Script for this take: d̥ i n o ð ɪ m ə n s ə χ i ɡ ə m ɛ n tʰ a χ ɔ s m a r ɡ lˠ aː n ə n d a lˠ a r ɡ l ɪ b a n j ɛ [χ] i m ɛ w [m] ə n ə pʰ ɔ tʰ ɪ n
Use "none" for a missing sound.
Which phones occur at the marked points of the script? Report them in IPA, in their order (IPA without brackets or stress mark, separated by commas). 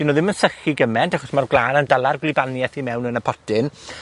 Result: θ, n